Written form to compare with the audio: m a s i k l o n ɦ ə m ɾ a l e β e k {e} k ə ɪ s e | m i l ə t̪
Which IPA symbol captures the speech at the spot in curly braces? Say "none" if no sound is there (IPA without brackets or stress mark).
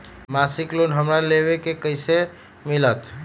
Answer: e